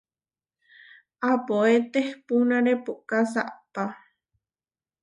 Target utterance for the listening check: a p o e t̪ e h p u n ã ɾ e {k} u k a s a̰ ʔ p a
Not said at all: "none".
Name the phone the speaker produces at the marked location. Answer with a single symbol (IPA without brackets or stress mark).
p